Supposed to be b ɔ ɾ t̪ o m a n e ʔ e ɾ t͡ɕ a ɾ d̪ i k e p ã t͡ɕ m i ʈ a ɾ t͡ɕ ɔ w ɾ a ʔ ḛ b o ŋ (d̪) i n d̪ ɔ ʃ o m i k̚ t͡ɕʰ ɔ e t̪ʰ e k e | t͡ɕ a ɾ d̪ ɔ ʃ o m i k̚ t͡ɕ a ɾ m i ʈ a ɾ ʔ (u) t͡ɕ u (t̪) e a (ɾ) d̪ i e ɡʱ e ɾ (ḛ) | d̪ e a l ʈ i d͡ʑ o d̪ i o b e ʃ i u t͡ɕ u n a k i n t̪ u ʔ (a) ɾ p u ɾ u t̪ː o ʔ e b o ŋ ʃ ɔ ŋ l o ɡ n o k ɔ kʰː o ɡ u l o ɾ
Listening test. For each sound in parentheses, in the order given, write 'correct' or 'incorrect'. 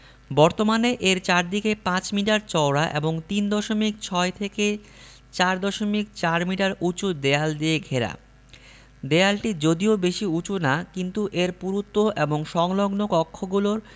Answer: incorrect, correct, incorrect, incorrect, incorrect, incorrect

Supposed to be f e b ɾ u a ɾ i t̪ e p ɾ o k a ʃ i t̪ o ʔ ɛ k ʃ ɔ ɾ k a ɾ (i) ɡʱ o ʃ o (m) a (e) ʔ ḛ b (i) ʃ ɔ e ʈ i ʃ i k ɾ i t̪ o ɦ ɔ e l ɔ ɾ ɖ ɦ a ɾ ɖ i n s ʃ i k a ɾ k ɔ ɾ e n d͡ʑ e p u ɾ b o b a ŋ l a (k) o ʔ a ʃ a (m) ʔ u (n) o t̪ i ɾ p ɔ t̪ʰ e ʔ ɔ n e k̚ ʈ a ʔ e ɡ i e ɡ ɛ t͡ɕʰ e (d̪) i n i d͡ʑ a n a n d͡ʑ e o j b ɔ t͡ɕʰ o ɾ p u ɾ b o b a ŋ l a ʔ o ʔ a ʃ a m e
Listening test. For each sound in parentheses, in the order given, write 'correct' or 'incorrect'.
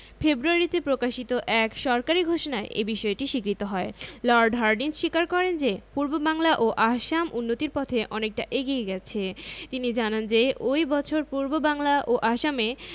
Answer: correct, incorrect, correct, correct, incorrect, correct, incorrect, incorrect

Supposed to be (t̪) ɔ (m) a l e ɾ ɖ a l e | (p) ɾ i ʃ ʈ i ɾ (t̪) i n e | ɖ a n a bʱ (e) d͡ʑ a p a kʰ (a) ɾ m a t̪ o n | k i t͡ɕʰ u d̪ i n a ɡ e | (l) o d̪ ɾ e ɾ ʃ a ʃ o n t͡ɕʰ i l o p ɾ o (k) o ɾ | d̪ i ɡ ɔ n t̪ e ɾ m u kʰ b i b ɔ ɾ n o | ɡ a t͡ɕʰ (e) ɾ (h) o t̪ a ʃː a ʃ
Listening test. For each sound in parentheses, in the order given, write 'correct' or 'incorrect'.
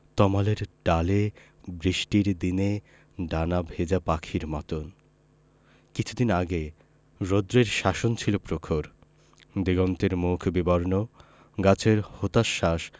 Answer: correct, correct, incorrect, incorrect, correct, incorrect, incorrect, incorrect, correct, correct

